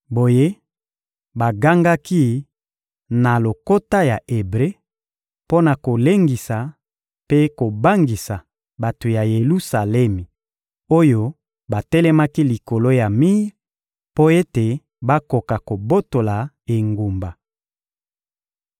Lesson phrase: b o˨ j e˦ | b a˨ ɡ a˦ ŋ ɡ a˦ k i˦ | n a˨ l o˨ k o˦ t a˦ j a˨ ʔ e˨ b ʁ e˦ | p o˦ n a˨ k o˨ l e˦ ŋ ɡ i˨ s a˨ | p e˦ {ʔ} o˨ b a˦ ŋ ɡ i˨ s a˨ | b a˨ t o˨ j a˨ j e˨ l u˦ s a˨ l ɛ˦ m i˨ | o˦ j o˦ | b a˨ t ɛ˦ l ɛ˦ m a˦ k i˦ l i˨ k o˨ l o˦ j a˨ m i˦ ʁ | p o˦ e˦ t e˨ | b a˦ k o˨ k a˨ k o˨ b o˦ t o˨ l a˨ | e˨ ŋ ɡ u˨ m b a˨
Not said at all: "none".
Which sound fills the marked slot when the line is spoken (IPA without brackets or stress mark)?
k